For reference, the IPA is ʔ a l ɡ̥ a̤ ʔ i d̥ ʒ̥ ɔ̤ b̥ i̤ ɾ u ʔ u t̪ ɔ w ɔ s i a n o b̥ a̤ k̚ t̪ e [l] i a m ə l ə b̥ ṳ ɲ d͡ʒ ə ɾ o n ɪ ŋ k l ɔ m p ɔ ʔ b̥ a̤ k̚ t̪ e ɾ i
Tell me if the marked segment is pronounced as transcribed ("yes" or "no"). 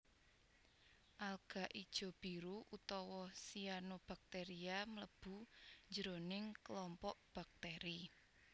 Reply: no